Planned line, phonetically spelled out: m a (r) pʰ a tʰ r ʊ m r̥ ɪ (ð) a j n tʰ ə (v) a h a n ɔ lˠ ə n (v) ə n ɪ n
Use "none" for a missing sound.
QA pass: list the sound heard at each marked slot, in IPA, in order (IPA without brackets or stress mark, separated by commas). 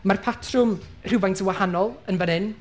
r, v, w, v